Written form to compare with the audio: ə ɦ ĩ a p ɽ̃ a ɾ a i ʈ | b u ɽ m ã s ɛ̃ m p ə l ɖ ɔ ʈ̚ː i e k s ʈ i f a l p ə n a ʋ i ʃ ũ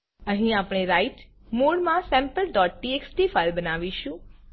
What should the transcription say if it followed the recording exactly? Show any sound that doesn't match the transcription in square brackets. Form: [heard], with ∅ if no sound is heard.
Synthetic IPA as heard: ə ɦ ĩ a p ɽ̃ [e] ɾ a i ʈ | [m] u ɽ m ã s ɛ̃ m p ə l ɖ ɔ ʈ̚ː i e k s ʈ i f a l [b] ə n a ʋ i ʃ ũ